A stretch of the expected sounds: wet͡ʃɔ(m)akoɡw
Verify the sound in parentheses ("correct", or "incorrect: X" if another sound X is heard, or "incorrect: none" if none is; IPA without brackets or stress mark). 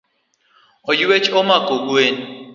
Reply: correct